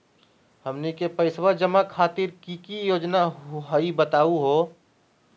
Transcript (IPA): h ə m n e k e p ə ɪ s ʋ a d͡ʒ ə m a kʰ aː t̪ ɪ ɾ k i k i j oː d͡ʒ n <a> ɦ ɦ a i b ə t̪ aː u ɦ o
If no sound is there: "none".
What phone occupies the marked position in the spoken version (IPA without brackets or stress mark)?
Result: a